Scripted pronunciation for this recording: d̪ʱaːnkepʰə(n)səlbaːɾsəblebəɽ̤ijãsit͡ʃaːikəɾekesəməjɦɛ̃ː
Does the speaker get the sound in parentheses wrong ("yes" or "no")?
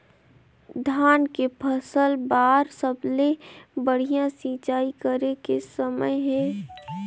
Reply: yes